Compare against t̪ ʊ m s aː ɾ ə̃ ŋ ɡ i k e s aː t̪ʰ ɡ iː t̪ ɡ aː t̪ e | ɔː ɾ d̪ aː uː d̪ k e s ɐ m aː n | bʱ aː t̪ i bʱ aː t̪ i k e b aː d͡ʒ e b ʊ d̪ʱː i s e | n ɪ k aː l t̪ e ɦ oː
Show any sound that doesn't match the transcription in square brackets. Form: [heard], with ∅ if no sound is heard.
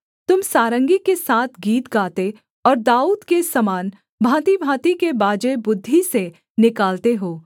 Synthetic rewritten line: t̪ ʊ m s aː ɾ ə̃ ŋ ɡ i k e s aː t̪ʰ ɡ iː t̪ ɡ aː t̪ e | ɔː ɾ d̪ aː uː d̪ k e s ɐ m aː n | bʱ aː t̪ i bʱ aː t̪ i k e b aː d͡ʒ e b ʊ d̪ʱː i s e | n ɪ k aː l t̪ e ɦ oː

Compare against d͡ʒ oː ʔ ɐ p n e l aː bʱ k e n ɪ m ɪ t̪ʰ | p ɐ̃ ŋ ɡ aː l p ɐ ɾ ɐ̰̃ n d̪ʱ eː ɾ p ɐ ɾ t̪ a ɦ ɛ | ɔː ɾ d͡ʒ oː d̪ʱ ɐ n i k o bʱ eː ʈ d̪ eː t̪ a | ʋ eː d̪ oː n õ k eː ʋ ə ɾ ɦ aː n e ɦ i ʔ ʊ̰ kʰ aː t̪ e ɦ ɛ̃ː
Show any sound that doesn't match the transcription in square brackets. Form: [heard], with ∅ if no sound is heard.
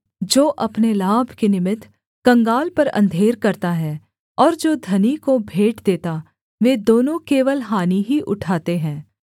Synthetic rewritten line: d͡ʒ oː ʔ ɐ p n e l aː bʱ k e n ɪ m ɪ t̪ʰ | [k] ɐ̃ ŋ ɡ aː l p ɐ ɾ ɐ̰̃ n d̪ʱ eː ɾ [k] ɐ ɾ t̪ a ɦ ɛ | ɔː ɾ d͡ʒ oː d̪ʱ ɐ n i k o bʱ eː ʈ d̪ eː t̪ a | ʋ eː d̪ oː n õ k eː ʋ ə [l] ɦ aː n [i] ɦ i ʔ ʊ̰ [ʈʰ] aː t̪ e ɦ ɛ̃ː

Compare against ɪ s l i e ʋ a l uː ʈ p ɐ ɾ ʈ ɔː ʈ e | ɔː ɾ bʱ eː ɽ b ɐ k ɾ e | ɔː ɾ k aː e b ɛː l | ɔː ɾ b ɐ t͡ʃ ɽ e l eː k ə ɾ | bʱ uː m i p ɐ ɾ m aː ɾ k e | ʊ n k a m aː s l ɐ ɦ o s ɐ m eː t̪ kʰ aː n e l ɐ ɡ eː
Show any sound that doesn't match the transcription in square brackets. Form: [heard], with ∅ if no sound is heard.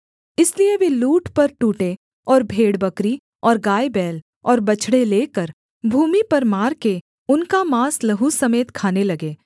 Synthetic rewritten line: ɪ s l i e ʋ [e] l uː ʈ p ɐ ɾ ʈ [uː] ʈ e | ɔː ɾ bʱ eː ɽ b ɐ k ɾ [i] | ɔː ɾ [ɡ] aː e b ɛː l | ɔː ɾ b ɐ t͡ʃ ɽ e l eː k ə ɾ | bʱ uː m i p ɐ ɾ m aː ɾ k e | ʊ n k a m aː s l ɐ ɦ [u] s ɐ m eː t̪ kʰ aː n e l ɐ ɡ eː

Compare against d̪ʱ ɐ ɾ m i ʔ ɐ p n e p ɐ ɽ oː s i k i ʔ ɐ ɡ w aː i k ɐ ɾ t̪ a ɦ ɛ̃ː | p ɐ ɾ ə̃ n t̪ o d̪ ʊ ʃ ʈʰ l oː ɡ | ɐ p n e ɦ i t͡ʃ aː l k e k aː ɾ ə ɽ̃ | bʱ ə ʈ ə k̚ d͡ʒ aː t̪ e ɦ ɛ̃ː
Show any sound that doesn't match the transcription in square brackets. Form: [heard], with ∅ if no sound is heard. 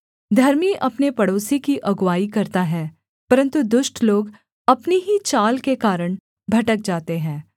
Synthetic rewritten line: d̪ʱ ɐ ɾ m i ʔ ɐ p n e p ɐ ɽ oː s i k i ʔ ɐ ɡ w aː i k ɐ ɾ t̪ a ɦ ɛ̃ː | p ɐ ɾ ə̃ n t̪ [u] d̪ ʊ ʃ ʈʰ l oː ɡ | ɐ p n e ɦ i t͡ʃ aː l k e k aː ɾ ə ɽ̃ | bʱ [ɐ] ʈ ə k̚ d͡ʒ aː t̪ e ɦ ɛ̃ː

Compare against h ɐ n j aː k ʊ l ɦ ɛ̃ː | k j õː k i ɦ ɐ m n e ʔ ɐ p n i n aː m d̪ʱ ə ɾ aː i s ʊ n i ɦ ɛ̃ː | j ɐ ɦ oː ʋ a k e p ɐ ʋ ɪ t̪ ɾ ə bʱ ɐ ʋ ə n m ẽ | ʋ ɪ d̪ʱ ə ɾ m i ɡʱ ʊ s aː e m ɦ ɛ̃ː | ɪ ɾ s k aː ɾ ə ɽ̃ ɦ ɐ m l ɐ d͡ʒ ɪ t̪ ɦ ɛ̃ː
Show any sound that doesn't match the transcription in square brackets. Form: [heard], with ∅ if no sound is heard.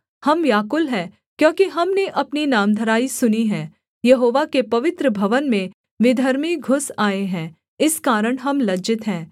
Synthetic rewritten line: h ɐ [m] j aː k ʊ l ɦ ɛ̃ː | k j õː k i ɦ ɐ m n e ʔ ɐ p n i n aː m d̪ʱ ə ɾ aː i s ʊ n i ɦ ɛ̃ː | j ɐ ɦ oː ʋ a k e p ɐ ʋ ɪ t̪ ɾ ə bʱ ɐ ʋ ə n m ẽ | ʋ ɪ d̪ʱ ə ɾ m i ɡʱ ʊ s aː e [∅] ɦ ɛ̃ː | ɪ [∅] s k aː ɾ ə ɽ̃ ɦ ɐ m l ɐ d͡ʒ ɪ t̪ ɦ ɛ̃ː

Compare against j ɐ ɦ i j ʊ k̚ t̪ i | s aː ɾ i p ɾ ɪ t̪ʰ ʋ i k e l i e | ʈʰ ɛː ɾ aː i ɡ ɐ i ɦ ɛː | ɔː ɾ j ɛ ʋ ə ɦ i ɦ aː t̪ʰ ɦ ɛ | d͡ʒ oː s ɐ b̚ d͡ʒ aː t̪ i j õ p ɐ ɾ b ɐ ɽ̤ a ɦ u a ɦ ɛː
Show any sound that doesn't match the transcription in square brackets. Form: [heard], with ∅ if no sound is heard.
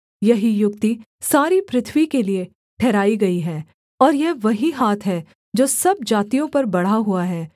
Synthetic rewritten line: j ɐ ɦ i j ʊ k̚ t̪ i | s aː ɾ i p ɾ ɪ t̪ʰ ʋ i k e l i e | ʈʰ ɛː ɾ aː i ɡ ɐ i ɦ ɛː | ɔː ɾ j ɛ ʋ [ɐ] ɦ i ɦ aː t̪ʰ ɦ ɛ | d͡ʒ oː s ɐ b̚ d͡ʒ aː t̪ i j õ p ɐ ɾ b ɐ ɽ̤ a ɦ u a ɦ ɛː

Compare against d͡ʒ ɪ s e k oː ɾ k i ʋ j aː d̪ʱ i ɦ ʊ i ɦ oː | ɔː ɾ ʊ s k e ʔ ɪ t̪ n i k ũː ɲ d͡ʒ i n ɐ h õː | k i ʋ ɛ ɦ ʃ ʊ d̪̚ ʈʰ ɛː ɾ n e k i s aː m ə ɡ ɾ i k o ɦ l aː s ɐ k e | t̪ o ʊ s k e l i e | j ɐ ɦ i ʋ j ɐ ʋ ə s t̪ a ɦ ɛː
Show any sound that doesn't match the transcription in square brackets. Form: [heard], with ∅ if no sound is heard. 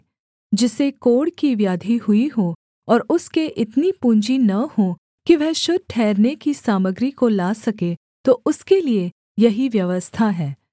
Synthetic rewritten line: d͡ʒ ɪ s e k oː [ɽ] k i ʋ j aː d̪ʱ i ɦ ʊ i ɦ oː | ɔː ɾ ʊ s k e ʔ ɪ t̪ n i [p] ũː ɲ d͡ʒ i n ɐ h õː | k i ʋ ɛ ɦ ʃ ʊ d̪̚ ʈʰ ɛː ɾ n e k i s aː m ə ɡ ɾ i k o [∅] l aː s ɐ k e | t̪ o ʊ s k e l i e | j ɐ ɦ i ʋ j ɐ ʋ ə s [t̪ʰ] a ɦ ɛː

